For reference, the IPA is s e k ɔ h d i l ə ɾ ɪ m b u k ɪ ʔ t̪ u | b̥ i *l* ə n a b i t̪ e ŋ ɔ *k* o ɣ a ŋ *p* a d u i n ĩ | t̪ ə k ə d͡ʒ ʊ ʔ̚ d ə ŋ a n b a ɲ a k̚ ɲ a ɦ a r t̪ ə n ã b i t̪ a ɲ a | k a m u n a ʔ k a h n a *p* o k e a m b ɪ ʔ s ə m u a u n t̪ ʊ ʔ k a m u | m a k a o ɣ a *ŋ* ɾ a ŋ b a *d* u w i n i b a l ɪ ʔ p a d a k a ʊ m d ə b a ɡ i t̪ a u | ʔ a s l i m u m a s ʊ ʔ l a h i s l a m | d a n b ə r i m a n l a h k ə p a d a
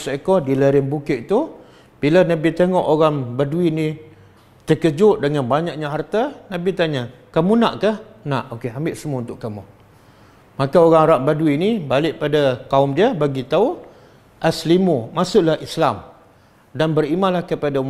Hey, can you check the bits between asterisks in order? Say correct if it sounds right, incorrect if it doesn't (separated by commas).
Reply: correct, incorrect, incorrect, incorrect, correct, correct